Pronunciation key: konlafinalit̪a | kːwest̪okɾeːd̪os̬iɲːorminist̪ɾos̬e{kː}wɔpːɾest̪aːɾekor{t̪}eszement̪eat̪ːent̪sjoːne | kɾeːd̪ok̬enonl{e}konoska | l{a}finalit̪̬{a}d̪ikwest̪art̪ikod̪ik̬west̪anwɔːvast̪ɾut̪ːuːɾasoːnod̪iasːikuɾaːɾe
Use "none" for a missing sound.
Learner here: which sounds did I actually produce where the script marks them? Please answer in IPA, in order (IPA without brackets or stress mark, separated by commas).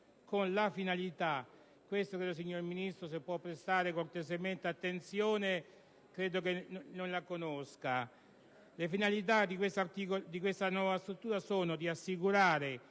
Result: pː, t̪, a, e, a